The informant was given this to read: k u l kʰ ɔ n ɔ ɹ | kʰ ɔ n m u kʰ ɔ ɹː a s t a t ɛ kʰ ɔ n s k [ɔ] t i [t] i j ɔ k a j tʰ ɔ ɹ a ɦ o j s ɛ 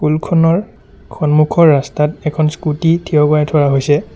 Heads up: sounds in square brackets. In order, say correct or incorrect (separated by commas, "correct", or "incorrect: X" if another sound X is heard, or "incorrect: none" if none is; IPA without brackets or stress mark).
incorrect: u, incorrect: tʰ